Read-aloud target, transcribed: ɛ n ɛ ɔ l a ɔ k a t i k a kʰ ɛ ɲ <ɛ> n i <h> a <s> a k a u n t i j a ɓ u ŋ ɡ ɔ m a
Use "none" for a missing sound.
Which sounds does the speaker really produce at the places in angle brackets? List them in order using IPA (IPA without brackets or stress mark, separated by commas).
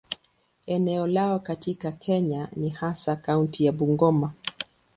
a, h, s